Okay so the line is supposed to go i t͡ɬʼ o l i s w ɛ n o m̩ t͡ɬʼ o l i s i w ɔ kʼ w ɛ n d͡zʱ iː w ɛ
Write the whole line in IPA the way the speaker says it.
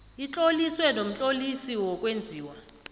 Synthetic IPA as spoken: i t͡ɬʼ o l i s w ɛ n o m̩ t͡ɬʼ o l i s i w ɔ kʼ w e n d͡zʱ iː w a

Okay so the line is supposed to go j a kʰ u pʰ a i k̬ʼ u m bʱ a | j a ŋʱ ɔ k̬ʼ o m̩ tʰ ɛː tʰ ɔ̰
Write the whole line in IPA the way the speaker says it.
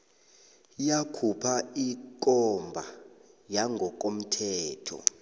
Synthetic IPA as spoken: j a kʰ u pʰ a i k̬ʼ ɔ m bʱ a | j a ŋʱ ɔ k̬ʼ o m̩ tʰ ɛː tʰ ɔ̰

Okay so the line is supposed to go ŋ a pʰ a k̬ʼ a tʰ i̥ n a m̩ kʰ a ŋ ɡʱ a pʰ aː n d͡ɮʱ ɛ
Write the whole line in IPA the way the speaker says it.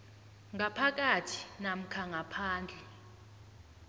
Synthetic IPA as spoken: ŋ a pʰ a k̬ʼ a tʰ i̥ n a m̩ kʰ a ŋ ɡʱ a pʰ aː n d͡ɮʱ ɛ

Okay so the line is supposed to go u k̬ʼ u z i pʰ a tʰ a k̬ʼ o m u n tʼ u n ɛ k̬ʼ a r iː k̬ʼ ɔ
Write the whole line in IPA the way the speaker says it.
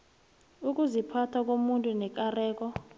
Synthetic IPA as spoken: u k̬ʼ u z i pʰ a tʰ a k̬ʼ o m u n tʼ u n ɛ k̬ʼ a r ɛː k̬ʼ ɔ

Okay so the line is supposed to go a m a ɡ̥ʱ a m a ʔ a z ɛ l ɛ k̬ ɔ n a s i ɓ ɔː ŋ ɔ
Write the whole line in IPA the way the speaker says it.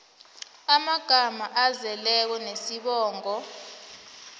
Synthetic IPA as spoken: a m a ɡ̥ʱ a m a ʔ a z ɛ l ɛ k̬ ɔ n e s i ɓ ɔː ŋ ɔ

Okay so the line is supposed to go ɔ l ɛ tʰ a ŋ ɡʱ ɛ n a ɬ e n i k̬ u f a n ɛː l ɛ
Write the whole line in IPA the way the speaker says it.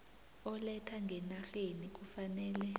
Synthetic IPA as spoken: ɔ l ɛ tʰ a ŋ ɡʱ ɛ n a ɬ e n i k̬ u f a n ɛː l ɛ

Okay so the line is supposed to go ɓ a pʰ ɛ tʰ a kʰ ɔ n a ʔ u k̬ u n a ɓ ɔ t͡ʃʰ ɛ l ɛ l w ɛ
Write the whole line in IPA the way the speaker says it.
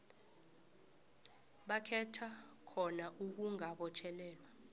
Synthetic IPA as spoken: ɓ a kʰ ɛ tʰ a kʰ ɔ n a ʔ u k̬ u ŋ a ɓ ɔ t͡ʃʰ ɛ l ɛː l w a

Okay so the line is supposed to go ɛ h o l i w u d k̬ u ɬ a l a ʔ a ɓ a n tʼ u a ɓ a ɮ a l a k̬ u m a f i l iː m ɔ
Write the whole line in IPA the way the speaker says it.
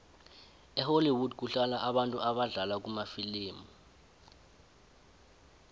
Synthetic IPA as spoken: ɛ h o l i w u d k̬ u ɬ a l a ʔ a ɓ a n tʼ u a ɓ a ɮ a l a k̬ u m a f i l iː m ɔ

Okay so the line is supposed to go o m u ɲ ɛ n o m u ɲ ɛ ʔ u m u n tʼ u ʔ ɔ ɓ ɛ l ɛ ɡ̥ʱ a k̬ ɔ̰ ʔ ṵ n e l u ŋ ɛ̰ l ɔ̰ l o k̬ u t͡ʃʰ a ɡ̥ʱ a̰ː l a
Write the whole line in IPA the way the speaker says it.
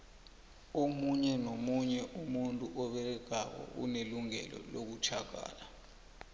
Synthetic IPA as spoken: o m u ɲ ɛ n o m u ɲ ɛ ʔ u m u n tʼ u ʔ ɔ ɓ ɛ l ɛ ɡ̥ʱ a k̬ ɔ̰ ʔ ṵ n e l u ŋ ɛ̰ l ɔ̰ l o k̬ u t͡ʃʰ a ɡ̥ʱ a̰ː l a

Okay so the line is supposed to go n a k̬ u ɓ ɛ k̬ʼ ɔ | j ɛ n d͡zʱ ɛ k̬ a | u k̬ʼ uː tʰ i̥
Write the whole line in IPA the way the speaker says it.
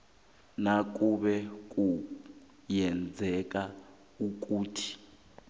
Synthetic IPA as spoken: n a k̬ u ɓ ɛ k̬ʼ u | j ɛ n d͡zʱ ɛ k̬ a | u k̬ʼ uː tʰ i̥

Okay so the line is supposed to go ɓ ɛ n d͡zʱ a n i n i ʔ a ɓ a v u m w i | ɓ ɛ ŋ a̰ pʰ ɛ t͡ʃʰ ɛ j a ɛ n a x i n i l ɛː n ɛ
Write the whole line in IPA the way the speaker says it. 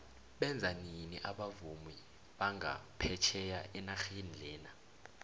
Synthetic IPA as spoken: ɓ ɛ n d͡zʱ a n i n i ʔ a ɓ a v u m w i | ɓ a ŋ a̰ pʰ ɛ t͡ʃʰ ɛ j a ɛ n a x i n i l ɛː n a

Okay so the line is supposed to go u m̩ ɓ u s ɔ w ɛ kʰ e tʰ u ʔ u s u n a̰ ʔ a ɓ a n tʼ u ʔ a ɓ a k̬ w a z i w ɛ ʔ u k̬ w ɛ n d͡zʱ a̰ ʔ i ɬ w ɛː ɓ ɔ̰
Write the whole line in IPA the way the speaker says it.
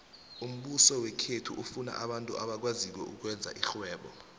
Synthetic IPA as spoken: u m̩ ɓ u s ɔ w ɛ kʰ e tʰ u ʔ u f u n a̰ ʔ a ɓ a n tʼ u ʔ a ɓ a k̬ w a z i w ɛ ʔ u k̬ w ɛ n d͡zʱ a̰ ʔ i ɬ w ɛː ɓ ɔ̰

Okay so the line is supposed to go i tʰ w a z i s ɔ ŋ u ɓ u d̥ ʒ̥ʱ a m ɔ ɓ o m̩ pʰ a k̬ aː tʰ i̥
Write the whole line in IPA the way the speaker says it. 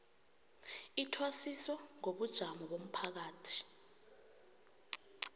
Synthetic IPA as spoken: i tʰ w a s i s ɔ ŋ o ɓ u d̥ ʒ̥ʱ a m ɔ ɓ o m̩ pʰ a k̬ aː tʰ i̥

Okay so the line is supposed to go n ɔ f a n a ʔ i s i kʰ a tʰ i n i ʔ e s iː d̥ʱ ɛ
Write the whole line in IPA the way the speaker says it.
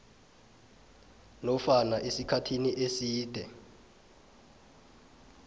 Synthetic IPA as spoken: n ɔ f a n a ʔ e s i kʰ a tʰ i n i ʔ e s iː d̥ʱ ɛ

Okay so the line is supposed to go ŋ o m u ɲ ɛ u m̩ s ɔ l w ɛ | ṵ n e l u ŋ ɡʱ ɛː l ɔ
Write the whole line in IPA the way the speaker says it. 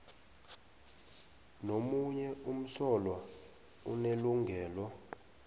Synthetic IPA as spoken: n o m u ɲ ɛ u m̩ s ɔ l w a | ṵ n e l u ŋ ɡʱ ɛː l ɔ

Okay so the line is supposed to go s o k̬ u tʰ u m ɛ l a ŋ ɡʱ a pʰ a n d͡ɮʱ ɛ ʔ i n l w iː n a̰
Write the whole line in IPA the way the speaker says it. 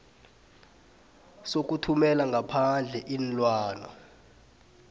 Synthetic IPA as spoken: s o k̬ u tʰ u m ɛ l a ŋ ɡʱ a pʰ a n d͡ɮʱ ɛ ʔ i n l w aː n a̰

